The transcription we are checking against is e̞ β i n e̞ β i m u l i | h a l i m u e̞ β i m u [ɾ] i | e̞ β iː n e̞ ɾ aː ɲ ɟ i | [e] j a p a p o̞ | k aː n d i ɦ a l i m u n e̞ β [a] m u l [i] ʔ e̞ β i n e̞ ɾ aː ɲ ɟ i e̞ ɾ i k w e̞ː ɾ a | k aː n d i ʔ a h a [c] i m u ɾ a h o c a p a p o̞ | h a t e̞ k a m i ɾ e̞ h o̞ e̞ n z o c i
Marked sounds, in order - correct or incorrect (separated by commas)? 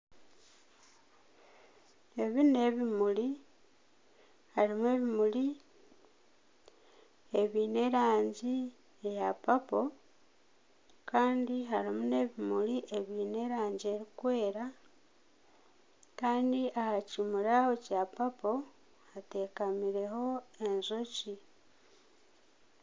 incorrect, correct, incorrect, correct, correct